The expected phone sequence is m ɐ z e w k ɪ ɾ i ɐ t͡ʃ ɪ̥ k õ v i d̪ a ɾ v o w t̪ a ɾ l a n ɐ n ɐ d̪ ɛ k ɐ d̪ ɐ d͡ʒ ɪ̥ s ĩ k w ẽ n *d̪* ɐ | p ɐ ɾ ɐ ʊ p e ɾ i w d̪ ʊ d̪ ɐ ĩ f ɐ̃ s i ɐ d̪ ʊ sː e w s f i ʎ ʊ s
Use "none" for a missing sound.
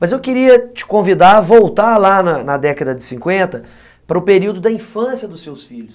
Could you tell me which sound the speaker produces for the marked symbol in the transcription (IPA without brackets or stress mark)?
t̪